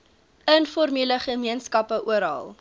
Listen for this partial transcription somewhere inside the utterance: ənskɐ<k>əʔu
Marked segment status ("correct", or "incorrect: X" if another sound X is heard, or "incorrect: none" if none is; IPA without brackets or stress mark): incorrect: p